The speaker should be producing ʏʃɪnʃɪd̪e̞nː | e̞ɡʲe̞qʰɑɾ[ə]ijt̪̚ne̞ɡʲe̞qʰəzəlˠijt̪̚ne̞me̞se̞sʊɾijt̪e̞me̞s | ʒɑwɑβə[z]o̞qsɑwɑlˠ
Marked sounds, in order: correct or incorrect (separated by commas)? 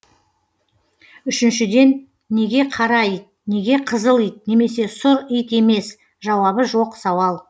incorrect, incorrect